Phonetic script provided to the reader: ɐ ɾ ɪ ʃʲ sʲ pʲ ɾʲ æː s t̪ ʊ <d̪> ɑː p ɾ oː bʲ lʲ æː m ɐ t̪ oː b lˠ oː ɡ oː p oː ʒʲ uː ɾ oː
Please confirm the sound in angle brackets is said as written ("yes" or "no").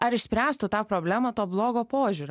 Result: no